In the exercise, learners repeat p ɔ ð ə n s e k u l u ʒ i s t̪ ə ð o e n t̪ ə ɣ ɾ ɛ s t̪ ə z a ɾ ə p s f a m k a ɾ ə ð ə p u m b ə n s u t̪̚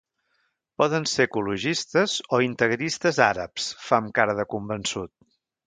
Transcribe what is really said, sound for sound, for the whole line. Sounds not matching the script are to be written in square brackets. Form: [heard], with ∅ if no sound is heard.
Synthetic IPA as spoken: p ɔ ð ə n s e k u l u ʒ i s t̪ ə [z] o [i] n t̪ ə ɣ ɾ [i] s t̪ ə z a ɾ ə p s f a m k a ɾ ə ð ə [k] u m b ə n s u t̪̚